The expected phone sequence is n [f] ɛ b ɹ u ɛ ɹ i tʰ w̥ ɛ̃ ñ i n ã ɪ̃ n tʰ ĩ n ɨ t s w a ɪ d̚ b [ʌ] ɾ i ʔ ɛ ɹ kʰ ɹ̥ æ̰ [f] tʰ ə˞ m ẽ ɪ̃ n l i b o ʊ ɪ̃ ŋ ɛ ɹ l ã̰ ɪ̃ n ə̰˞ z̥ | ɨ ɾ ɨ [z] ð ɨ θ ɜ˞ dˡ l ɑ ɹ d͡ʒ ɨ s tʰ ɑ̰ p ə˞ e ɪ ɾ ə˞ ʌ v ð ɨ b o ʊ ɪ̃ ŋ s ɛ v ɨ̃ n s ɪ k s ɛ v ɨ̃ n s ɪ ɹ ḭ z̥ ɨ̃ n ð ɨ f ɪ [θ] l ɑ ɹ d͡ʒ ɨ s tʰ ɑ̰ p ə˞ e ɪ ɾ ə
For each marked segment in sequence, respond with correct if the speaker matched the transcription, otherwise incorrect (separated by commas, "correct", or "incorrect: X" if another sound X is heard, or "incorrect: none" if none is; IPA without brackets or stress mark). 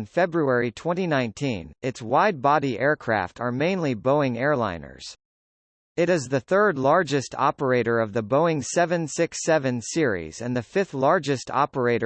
correct, incorrect: ɑ, correct, correct, correct